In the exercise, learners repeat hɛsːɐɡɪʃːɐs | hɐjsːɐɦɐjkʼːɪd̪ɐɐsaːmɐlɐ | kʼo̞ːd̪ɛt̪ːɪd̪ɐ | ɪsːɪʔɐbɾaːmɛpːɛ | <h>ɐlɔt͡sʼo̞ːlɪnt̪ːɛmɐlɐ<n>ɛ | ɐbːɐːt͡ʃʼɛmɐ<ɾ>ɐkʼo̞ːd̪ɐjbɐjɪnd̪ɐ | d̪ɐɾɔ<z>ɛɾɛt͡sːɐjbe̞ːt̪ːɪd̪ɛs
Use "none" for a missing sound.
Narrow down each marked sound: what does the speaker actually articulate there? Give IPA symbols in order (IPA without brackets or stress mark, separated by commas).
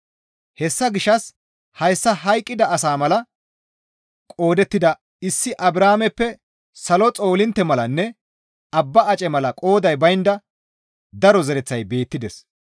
s, nː, l, z